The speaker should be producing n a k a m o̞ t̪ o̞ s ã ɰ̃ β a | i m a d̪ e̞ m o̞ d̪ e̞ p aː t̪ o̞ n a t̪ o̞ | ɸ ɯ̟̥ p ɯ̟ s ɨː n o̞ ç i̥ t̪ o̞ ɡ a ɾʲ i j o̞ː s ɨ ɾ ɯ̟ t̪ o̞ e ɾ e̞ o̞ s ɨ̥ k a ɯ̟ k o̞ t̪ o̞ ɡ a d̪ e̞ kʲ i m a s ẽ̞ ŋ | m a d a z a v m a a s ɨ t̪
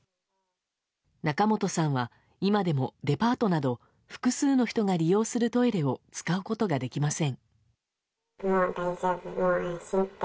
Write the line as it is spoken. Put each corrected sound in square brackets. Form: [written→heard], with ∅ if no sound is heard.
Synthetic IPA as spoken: n a k a m o̞ t̪ o̞ s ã ɰ̃ β a | i m a d̪ e̞ m o̞ d̪ e̞ p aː t̪ o̞ n a [t̪→d̪] o̞ | ɸ ɯ̟̥ [p→k] ɯ̟ s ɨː n o̞ ç i̥ t̪ o̞ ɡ a ɾʲ i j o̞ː s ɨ ɾ ɯ̟ t̪ o̞ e ɾ e̞ o̞ [s→t͡s] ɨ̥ k a ɯ̟ k o̞ t̪ o̞ ɡ a d̪ e̞ kʲ i m a s ẽ̞ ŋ | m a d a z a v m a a s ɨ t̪